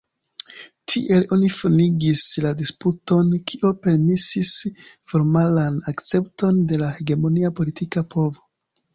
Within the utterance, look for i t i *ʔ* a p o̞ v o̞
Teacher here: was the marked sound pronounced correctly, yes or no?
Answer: no